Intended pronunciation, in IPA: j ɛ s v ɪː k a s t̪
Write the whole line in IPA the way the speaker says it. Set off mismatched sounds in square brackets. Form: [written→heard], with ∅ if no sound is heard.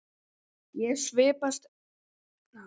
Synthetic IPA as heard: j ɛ s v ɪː [k→p] a s t̪